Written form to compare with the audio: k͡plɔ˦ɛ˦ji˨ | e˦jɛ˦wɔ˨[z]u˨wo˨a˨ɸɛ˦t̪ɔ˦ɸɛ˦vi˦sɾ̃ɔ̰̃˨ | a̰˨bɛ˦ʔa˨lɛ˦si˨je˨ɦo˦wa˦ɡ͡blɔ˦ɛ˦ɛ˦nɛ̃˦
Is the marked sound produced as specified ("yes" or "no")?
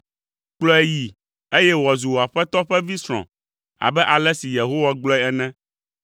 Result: yes